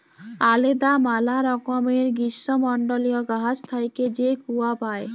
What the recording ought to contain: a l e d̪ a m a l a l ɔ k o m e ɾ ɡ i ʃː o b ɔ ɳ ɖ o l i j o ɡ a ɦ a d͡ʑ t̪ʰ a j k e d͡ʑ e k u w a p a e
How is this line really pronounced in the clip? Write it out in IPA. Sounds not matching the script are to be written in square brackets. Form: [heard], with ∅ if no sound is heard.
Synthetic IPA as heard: a l e d̪ a m a l a [ɾ] ɔ k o m e ɾ ɡ i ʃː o [m] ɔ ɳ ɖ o l i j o ɡ a ɦ a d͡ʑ t̪ʰ a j k e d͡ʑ e k u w a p a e